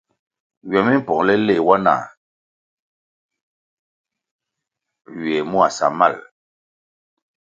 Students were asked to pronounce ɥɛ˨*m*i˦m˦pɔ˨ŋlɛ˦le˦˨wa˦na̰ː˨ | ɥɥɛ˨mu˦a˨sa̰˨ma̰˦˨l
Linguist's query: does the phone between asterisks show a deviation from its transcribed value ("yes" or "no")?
no